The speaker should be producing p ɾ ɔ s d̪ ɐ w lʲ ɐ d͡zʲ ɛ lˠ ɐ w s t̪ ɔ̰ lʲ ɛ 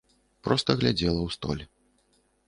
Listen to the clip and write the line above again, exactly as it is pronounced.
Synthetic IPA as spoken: p ɾ ɔ s t̪ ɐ ɣ lʲ a d͡zʲ ɛ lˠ ɐ w s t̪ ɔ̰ lʲ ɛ